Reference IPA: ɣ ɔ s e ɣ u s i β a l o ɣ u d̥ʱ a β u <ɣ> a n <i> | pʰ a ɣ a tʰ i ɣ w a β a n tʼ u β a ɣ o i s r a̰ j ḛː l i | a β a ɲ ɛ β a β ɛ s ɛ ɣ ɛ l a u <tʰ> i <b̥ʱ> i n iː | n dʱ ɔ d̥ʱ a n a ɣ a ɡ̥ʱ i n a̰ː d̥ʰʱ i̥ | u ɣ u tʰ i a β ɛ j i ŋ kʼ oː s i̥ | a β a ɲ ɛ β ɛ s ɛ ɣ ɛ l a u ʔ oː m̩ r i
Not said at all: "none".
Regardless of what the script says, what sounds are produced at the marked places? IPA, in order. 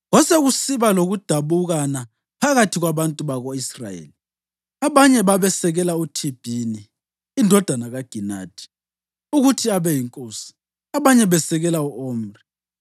ɣ, a, tʰ, b̥ʱ

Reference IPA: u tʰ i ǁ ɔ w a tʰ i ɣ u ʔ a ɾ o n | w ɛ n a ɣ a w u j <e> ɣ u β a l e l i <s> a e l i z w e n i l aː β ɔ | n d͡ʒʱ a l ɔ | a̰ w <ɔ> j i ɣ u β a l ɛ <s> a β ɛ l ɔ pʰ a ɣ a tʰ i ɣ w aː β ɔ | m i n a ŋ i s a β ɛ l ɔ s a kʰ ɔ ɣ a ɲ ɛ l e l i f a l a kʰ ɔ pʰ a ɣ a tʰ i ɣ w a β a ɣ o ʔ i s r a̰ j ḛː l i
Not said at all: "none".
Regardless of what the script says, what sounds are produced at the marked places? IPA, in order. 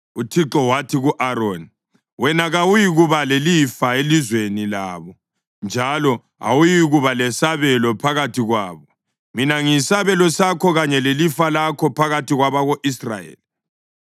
i, f, u, s

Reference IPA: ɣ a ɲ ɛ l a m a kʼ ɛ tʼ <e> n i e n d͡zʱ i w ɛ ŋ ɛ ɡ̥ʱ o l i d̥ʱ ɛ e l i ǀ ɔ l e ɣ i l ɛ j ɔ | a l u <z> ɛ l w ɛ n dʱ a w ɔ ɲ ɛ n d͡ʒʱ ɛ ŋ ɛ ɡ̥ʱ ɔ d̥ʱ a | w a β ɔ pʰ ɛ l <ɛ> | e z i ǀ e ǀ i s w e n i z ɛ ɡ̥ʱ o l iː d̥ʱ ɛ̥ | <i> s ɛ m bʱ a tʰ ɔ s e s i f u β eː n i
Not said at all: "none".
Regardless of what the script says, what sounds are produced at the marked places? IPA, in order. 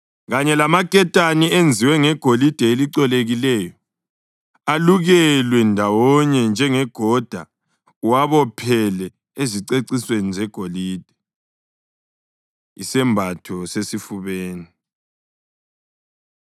a, ɣ, ɛ, i

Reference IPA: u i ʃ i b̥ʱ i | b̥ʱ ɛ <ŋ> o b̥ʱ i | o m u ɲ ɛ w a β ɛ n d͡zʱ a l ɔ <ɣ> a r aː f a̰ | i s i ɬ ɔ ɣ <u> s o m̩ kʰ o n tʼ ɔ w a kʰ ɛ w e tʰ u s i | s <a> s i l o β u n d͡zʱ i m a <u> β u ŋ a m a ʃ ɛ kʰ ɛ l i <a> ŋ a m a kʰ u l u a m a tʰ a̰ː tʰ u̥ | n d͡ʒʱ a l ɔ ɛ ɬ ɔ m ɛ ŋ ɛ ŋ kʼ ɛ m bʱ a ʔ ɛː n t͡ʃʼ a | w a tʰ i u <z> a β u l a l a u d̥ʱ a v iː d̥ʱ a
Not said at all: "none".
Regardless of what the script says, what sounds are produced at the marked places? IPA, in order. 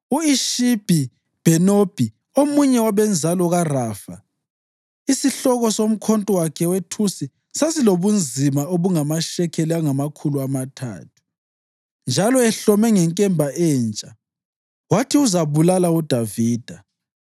n, ɣ, ɔ, a, o, a, z

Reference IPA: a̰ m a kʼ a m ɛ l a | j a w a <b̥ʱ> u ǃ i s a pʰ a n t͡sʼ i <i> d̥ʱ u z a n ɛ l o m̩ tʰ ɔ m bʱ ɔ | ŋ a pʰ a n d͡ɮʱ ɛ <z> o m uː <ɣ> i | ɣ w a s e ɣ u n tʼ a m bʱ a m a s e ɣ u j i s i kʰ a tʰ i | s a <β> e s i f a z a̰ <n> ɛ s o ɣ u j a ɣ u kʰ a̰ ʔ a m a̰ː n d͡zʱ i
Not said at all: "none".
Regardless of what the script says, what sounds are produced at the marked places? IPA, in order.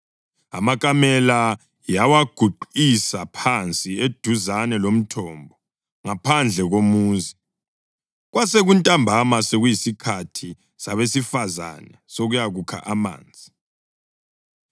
ɡ̥ʱ, e, ɣ, z, β, n

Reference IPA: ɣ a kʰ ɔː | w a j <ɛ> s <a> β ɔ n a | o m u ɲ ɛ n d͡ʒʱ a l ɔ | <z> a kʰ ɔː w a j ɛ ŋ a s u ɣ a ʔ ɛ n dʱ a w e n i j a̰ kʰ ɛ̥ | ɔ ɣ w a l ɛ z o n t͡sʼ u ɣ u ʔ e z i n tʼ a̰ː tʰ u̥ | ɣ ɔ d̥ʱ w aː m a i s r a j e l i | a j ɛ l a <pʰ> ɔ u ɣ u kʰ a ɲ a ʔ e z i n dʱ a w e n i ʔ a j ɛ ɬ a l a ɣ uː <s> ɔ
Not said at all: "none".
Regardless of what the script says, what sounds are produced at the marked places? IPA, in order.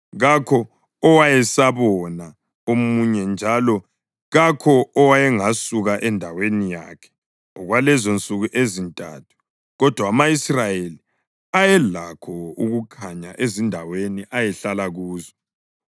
ɛ, a, ɣ, kʰ, z

